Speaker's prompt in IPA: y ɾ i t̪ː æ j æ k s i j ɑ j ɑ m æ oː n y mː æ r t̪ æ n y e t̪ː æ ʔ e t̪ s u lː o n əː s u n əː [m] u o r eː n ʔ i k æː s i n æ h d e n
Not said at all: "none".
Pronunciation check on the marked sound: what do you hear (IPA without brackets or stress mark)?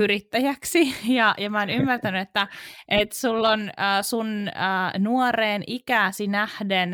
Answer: n